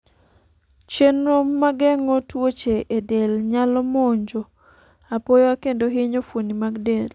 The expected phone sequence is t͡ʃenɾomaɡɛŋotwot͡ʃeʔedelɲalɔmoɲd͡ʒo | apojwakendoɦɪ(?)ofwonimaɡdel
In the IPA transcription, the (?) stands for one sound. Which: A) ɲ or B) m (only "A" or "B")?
A